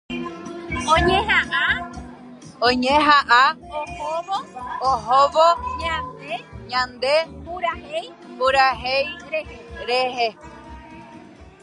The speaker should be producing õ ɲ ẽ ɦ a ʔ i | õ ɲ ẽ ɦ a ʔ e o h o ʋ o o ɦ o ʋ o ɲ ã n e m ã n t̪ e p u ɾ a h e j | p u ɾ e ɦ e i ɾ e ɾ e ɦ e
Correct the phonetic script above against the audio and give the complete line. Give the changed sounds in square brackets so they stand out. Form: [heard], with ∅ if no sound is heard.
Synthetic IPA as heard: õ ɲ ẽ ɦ a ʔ [a] | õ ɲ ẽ ɦ a ʔ [a] o h o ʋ o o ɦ o ʋ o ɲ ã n e [ɲ] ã n [d̪] e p u ɾ a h e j | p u ɾ [a] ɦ e [j] ɾ e ɾ e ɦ e

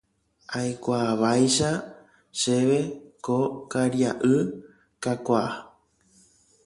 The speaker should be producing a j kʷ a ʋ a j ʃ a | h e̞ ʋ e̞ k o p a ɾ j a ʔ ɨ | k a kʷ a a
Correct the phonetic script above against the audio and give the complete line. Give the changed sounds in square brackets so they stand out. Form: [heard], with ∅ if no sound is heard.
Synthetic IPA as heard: a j kʷ a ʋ a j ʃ a | [ʃ] e̞ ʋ e̞ k o [k] a ɾ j a ʔ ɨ | k a kʷ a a

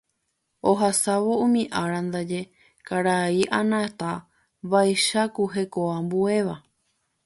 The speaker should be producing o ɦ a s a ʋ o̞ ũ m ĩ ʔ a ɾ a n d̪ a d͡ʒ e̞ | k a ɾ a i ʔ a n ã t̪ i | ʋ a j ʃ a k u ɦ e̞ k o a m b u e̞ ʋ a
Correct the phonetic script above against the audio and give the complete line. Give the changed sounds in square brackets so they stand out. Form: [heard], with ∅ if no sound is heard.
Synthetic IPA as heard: o ɦ a s a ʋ o̞ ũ m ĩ ʔ a ɾ a n d̪ a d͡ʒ e̞ | k a ɾ a i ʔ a n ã t̪ [a] | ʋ a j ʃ a k u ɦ e̞ k o a m b u e̞ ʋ a

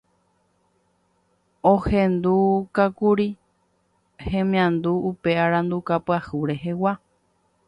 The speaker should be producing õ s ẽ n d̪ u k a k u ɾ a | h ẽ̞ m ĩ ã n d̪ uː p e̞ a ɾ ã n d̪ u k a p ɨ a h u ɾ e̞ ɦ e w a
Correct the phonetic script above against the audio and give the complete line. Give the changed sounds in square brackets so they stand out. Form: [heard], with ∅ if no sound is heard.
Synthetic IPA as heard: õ [h] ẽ n d̪ u k a k u ɾ [i] | h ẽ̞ m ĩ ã n d̪ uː p e̞ a ɾ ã n d̪ u k a p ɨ a h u ɾ e̞ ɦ e w a

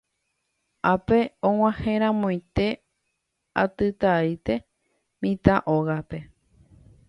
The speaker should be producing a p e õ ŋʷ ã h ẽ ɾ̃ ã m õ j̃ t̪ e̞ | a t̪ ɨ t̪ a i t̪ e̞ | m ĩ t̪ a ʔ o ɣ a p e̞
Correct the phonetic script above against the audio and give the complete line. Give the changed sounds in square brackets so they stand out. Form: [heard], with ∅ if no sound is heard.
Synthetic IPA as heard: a p e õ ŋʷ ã h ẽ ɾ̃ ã m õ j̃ t̪ e̞ | a t̪ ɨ t̪ a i t̪ e̞ | m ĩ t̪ a ʔ o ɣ a p e̞

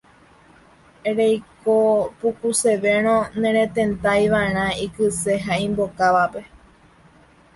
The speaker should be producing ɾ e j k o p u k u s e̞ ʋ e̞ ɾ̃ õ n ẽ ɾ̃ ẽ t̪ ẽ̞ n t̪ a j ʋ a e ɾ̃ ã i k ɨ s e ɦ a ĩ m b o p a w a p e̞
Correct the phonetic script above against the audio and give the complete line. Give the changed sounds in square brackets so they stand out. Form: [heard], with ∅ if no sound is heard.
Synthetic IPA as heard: ɾ e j k o p u k u s e̞ ʋ e̞ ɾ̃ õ n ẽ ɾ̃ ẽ t̪ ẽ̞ n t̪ a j ʋ a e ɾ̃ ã i k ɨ s e ɦ a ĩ m b o [k] a [ʋ] a p e̞

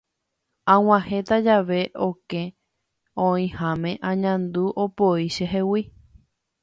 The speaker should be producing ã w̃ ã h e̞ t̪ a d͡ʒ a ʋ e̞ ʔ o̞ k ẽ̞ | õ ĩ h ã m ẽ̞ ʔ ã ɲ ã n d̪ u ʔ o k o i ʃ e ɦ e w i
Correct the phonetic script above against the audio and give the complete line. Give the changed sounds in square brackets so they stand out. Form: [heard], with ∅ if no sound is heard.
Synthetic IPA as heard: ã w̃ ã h e̞ t̪ a d͡ʒ a ʋ e̞ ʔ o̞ k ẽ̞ | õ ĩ h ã m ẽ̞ ʔ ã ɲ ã n d̪ u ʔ o [p] o i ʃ e ɦ e w i

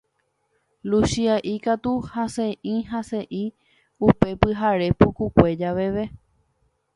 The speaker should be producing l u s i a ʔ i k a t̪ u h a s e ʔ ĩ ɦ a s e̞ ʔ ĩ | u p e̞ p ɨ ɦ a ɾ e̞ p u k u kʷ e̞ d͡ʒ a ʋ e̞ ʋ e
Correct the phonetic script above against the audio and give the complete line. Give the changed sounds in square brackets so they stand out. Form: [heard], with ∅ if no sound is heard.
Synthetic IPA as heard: l u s i a ʔ i k a t̪ u h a s e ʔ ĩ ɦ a s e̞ ʔ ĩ | u p e̞ p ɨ ɦ a ɾ e̞ p u k u kʷ e̞ d͡ʒ a ʋ e̞ ʋ e

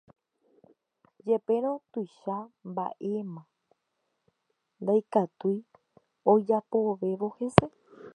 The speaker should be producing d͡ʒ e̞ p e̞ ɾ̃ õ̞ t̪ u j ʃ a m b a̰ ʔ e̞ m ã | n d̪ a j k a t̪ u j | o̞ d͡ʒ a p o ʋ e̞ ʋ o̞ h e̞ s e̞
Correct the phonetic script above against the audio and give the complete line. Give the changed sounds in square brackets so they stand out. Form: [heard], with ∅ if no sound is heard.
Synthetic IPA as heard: d͡ʒ e̞ p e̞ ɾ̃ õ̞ t̪ u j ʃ a m b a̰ ʔ e̞ m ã | n d̪ a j k a t̪ u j | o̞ d͡ʒ a p o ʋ e̞ ʋ o̞ h e̞ s e̞

